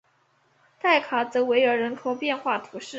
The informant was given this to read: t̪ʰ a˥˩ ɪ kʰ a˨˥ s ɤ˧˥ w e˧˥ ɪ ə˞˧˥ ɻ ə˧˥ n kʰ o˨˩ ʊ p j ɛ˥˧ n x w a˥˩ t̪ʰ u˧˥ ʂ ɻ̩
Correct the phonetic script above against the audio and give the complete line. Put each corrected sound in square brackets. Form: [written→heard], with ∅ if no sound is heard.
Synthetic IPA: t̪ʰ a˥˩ ɪ kʰ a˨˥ [s→t͡s] ɤ˧˥ w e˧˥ ɪ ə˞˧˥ ɻ ə˧˥ n kʰ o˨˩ ʊ p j ɛ˥˧ n x w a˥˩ t̪ʰ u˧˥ ʂ ɻ̩